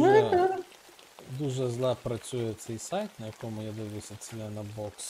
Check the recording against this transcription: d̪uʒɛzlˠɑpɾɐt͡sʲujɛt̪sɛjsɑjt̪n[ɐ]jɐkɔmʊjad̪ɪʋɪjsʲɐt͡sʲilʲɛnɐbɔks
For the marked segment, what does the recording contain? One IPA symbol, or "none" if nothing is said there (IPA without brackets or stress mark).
ɐ